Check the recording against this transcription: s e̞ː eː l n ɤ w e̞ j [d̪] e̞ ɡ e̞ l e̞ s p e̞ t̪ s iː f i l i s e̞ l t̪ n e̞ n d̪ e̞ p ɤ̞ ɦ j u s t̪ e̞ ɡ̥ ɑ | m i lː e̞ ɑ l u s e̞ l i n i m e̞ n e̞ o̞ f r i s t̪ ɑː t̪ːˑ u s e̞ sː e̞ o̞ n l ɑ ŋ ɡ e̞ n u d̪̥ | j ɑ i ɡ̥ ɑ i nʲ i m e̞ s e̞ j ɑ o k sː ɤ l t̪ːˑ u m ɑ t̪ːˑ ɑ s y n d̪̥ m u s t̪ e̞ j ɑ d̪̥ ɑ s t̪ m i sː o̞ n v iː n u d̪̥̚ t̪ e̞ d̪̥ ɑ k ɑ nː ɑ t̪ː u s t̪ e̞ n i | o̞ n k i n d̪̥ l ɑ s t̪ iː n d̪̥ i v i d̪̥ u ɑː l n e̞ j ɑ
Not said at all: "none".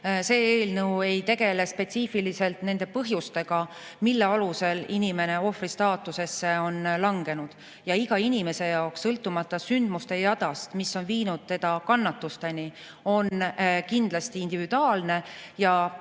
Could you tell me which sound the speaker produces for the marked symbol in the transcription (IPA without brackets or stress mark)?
t̪